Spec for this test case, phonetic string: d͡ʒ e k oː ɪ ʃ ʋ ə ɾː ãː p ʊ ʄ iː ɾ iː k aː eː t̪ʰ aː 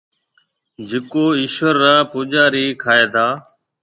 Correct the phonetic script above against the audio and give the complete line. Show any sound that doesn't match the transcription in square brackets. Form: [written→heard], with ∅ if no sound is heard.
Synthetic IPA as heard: d͡ʒ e k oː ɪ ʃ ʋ ə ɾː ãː p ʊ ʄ [iː→aː] ɾ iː [k→kʰ] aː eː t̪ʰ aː